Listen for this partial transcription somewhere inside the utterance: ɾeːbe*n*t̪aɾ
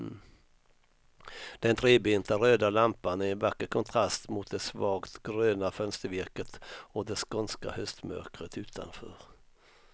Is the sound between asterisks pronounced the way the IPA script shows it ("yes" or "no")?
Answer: yes